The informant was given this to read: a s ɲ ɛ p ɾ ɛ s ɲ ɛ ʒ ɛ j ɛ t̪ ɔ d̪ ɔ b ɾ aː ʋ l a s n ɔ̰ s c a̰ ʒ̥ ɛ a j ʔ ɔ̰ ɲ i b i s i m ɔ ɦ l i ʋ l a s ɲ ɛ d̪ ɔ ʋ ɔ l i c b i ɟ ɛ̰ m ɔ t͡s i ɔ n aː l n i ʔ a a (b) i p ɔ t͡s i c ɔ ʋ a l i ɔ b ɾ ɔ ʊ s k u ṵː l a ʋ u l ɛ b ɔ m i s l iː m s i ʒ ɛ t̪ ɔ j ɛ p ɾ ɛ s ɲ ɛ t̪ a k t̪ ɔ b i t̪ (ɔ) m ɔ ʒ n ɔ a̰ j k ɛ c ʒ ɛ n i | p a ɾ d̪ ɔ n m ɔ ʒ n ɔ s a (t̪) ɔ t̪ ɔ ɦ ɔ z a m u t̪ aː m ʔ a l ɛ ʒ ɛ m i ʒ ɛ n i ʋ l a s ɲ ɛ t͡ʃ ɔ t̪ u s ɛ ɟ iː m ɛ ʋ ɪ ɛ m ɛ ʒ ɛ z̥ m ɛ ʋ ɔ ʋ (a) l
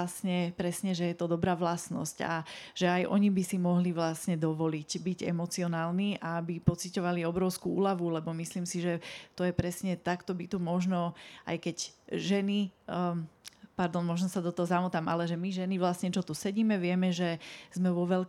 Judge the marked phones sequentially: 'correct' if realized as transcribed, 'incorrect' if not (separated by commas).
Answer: correct, incorrect, incorrect, incorrect